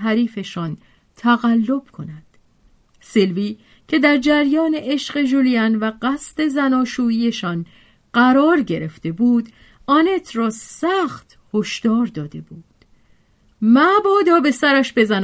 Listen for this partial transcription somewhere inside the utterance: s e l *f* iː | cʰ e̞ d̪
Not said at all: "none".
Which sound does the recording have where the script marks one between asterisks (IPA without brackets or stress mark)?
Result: v